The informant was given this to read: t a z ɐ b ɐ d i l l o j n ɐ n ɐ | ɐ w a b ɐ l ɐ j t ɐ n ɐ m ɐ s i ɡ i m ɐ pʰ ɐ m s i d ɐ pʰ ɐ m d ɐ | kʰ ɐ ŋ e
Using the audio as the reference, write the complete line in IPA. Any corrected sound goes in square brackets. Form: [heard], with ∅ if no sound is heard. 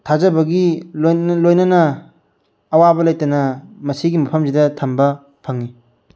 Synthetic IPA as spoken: [tʰ] a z ɐ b ɐ [ɡ] i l l o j n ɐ n ɐ | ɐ w a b ɐ l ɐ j t ɐ n ɐ m ɐ s i ɡ i m ɐ pʰ ɐ m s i d ɐ [tʰ] ɐ m [b] ɐ | [pʰ] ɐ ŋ [i]